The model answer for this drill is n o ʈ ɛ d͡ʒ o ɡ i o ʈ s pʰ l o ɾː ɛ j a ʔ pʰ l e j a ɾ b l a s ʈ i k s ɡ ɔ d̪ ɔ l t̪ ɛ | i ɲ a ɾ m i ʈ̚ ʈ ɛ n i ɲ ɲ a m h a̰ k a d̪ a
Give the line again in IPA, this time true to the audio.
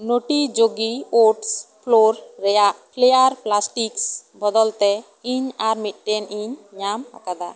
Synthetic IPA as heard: n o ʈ i d͡ʒ o ɡ i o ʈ s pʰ l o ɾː ɛ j a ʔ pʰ l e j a ɾ p l a s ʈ i k s b ɔ d̪ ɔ l t̪ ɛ | i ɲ a ɾ m i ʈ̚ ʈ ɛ n i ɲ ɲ a m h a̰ k a d̪ a